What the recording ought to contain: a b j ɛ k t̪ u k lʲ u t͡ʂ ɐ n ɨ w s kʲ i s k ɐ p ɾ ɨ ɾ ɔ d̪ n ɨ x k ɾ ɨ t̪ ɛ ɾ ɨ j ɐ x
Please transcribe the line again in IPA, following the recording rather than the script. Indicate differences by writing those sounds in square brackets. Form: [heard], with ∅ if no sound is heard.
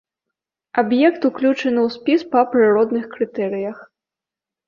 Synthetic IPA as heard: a b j ɛ k t̪ u k lʲ u t͡ʂ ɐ n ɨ w s [pʲ] i s [p] ɐ p ɾ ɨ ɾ ɔ d̪ n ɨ x k ɾ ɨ t̪ ɛ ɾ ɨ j ɐ x